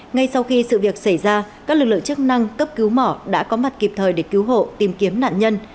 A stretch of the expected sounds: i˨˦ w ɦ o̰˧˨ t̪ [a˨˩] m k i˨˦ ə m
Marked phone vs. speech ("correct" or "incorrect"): incorrect